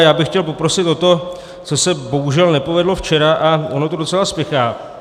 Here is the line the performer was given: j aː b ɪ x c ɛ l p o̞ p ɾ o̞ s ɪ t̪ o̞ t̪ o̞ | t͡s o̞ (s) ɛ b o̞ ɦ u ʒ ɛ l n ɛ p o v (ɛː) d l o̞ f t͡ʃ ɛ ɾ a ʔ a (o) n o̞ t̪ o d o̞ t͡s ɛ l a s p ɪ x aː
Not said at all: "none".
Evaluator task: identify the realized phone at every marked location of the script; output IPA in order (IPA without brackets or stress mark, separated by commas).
s, ɛ, o